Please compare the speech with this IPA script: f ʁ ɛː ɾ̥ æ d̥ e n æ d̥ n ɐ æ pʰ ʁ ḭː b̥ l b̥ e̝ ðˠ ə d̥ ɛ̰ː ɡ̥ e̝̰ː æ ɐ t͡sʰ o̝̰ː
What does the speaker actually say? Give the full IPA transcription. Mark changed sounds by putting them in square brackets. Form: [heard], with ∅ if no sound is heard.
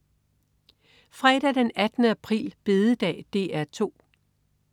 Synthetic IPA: f ʁ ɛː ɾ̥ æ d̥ e n æ d̥ n [ə] æ pʰ ʁ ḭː [∅] l b̥ e̝ ðˠ ə d̥ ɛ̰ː [d̥] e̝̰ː æ ɐ t͡sʰ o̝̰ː